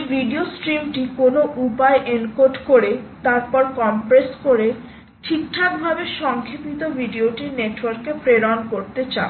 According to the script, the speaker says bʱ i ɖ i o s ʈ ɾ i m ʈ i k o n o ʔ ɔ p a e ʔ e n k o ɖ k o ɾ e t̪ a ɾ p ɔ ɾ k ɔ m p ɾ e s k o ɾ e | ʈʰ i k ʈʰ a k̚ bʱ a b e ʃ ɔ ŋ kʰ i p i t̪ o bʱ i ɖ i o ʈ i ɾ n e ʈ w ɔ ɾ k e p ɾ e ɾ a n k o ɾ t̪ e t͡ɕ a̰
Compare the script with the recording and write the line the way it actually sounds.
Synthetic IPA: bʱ i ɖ i o s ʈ ɾ i m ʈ i k o n o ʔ u p a e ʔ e n k o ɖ k o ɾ e t̪ a ɾ p ɔ ɾ k ɔ m p ɾ e s k o ɾ e | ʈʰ i k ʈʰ a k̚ bʱ a b e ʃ ɔ ŋ kʰ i p i t̪ o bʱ i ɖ i o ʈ i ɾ n e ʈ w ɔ ɾ k e p ɾ e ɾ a n k o ɾ t̪ e t͡ɕ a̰